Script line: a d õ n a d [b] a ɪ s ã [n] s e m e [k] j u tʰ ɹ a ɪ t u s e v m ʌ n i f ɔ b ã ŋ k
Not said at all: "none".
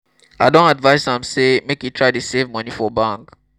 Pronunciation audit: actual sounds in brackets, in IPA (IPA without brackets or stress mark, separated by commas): v, m, k